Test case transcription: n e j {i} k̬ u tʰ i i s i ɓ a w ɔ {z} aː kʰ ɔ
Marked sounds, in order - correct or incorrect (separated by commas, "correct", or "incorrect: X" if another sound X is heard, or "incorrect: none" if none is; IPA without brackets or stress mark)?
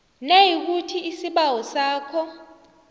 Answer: correct, incorrect: s